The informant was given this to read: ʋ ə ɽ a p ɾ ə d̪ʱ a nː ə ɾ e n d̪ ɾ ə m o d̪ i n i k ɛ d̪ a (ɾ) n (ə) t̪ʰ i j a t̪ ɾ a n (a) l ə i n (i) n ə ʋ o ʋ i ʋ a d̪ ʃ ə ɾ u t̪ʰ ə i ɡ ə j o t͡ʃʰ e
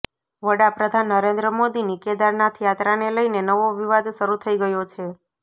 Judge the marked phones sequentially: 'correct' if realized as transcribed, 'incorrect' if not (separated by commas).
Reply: correct, incorrect, incorrect, incorrect